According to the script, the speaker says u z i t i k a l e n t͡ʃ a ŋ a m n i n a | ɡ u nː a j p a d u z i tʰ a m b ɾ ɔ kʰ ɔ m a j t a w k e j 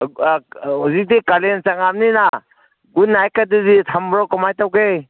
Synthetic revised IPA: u z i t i k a l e n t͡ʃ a ŋ a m n i n a | ɡ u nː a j k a d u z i tʰ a m b ɾ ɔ k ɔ m a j t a w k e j